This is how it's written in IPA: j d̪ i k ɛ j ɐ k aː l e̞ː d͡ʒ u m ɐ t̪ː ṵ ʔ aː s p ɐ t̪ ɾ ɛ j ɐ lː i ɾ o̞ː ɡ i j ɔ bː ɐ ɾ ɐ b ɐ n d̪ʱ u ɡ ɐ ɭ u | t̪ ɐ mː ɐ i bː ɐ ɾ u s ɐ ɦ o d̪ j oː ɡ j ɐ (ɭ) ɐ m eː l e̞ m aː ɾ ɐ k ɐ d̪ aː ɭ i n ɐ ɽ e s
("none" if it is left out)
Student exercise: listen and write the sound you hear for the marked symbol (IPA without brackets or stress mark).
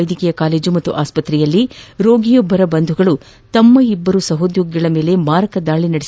ɭ